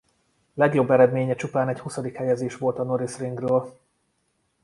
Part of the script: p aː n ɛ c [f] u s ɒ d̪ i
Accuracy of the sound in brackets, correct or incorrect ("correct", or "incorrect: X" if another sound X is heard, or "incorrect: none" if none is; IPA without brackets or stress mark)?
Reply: incorrect: h